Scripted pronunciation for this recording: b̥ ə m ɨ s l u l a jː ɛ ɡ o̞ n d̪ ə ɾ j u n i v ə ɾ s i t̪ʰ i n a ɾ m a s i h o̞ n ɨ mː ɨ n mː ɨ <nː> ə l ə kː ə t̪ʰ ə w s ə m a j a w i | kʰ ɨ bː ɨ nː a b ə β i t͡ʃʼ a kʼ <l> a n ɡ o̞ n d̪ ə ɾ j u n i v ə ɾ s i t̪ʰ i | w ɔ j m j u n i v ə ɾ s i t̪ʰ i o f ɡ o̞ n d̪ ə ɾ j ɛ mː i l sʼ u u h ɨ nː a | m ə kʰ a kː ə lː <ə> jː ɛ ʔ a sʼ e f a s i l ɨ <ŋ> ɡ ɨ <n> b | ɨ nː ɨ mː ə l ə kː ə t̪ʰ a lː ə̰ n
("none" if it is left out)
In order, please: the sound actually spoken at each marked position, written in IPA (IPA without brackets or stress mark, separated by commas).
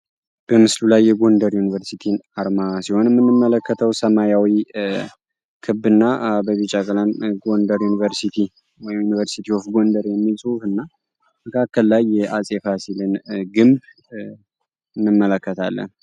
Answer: mː, l, a, n, m